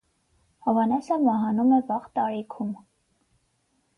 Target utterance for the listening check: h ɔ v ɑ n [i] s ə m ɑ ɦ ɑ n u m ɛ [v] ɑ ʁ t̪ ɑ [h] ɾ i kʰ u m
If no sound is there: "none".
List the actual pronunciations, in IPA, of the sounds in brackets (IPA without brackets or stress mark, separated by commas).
ɛ, v, none